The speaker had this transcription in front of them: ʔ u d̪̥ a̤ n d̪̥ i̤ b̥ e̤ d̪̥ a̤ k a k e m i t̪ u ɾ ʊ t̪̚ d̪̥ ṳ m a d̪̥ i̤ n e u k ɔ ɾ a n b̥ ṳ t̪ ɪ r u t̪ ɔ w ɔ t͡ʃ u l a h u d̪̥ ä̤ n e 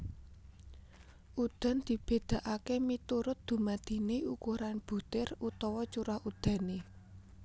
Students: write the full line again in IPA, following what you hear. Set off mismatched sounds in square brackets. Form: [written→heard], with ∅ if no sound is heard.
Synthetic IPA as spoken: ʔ u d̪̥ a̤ n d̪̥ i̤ b̥ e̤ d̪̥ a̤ [k→ʔ] a k e m i t̪ u ɾ ʊ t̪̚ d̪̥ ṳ m a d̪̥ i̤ n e u k [ɔ→u] ɾ a n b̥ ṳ t̪ ɪ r u t̪ ɔ w ɔ t͡ʃ u [l→ɾ] a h u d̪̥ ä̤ n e